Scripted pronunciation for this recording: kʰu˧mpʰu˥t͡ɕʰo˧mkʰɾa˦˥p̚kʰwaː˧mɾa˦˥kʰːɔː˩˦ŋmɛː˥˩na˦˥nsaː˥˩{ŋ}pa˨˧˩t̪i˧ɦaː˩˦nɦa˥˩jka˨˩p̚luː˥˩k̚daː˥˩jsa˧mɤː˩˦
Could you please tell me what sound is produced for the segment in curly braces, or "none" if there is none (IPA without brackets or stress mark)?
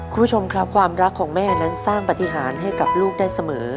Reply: ŋ